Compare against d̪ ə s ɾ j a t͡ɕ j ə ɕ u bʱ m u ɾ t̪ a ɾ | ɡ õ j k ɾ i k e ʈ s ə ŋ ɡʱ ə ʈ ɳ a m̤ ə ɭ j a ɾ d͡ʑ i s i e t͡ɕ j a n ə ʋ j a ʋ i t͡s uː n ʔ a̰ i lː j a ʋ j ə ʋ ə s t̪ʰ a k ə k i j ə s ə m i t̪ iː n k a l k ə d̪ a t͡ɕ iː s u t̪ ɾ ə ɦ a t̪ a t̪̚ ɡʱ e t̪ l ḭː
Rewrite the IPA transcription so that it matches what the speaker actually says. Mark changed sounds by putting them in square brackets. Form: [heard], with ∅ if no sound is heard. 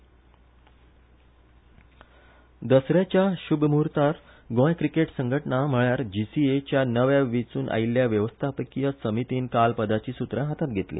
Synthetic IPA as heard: d̪ ə s ɾ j a t͡ɕ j [a] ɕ u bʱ m u ɾ t̪ a ɾ | ɡ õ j k ɾ i k e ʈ s ə ŋ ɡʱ ə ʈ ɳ a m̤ ə ɭ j a ɾ d͡ʑ i s i e t͡ɕ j a n ə ʋ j a ʋ i t͡s uː n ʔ a̰ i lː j a ʋ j ə ʋ ə s t̪ʰ a [p] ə k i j ə s ə m i t̪ iː n k a l [p] ə d̪ a t͡ɕ iː s u t̪ ɾ ə ɦ a t̪ a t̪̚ ɡʱ e t̪ l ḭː